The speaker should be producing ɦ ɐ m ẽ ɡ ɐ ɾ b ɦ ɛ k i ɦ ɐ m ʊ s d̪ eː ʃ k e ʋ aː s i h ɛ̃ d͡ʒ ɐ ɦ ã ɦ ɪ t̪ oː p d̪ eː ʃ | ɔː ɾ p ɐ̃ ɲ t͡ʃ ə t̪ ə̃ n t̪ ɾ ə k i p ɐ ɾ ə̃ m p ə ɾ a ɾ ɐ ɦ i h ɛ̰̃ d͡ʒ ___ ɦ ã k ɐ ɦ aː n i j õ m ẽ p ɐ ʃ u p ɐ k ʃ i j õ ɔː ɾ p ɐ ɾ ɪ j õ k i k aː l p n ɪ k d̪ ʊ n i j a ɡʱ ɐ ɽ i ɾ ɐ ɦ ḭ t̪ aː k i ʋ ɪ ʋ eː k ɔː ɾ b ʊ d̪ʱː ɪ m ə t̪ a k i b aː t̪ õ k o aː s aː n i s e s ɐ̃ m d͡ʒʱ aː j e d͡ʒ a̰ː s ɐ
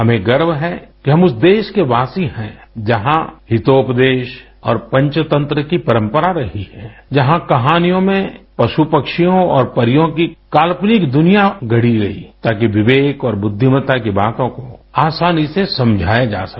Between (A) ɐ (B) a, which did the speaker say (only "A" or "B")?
A